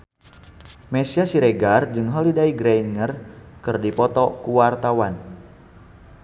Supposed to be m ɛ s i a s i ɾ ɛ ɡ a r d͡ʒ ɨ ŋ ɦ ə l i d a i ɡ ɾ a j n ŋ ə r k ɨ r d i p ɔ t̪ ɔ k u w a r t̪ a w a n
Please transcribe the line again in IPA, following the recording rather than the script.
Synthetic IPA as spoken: m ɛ s i a s i ɾ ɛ ɡ a r d͡ʒ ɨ ŋ ɦ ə l i d a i ɡ ɾ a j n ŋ ə r k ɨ r d i p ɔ t̪ ɔ k u w a r t̪ a w a n

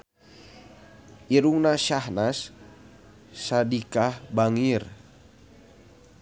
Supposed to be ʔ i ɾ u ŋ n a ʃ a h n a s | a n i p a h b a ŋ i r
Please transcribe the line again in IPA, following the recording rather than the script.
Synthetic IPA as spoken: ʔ i ɾ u ŋ n a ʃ a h n a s | a d i k a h b a ŋ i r

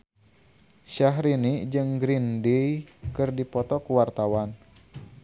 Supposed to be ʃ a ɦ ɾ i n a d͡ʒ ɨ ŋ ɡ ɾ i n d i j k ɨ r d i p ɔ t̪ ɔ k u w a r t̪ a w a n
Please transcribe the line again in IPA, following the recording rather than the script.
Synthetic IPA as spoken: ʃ a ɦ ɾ i n i d͡ʒ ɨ ŋ ɡ ɾ i n d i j k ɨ r d i p ɔ t̪ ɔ k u w a r t̪ a w a n

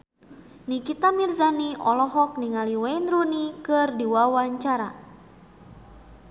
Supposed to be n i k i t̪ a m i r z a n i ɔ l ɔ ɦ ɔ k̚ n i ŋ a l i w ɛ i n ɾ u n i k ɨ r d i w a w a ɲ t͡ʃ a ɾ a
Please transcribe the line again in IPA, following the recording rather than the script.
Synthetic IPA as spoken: n i k i t̪ a m i r z a n i ɔ l ɔ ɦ ɔ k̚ n i ŋ a l i w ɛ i n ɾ u n i k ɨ r d i w a w a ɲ t͡ʃ a ɾ a

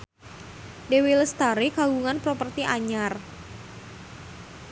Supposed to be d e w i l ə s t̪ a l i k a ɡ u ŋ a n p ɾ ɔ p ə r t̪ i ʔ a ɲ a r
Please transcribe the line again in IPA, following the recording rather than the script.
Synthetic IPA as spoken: d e w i l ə s t̪ a ɾ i k a ɡ u ŋ a n p ɾ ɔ p ə r t̪ i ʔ a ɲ a r

